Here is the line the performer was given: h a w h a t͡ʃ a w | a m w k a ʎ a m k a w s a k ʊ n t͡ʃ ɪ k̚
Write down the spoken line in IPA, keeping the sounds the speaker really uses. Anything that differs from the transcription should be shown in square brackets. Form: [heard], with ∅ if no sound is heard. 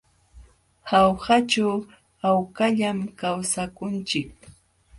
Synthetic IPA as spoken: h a w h a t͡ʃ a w | a [∅] w k a ʎ a m k a w s a k ʊ n t͡ʃ ɪ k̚